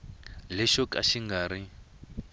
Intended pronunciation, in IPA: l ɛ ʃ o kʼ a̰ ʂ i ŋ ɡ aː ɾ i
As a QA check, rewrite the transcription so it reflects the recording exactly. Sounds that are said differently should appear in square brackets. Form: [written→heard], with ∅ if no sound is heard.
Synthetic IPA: l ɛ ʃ [o→ɔ] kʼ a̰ [ʂ→ʃ] i ŋ ɡ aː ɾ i